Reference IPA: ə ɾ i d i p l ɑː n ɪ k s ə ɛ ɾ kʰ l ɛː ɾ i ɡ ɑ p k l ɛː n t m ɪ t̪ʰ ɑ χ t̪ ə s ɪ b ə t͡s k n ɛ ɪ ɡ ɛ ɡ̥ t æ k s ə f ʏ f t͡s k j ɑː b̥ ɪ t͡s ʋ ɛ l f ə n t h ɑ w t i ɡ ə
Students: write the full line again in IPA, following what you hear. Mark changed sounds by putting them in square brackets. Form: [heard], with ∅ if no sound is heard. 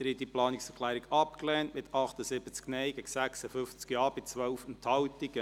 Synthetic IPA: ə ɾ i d i p l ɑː n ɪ k s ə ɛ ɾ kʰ l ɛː ɾ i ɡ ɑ p k l ɛː n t m ɪ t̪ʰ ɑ χ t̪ ə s ɪ b ə t͡s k n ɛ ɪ ɡ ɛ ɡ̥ [s] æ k s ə f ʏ f t͡s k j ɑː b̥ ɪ t͡s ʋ [œ] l f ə n t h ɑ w t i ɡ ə